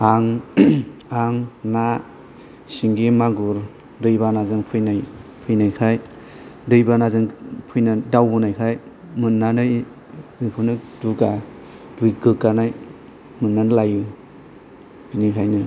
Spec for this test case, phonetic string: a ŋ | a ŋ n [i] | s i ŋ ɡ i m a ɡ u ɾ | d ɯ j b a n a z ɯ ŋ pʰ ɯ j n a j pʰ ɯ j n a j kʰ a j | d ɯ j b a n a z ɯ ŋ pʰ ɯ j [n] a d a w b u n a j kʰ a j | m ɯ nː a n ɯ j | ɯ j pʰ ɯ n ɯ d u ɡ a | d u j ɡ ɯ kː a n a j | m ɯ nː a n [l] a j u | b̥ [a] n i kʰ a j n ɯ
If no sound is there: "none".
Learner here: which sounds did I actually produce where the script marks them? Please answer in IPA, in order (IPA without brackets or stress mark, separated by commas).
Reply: a, n, l, i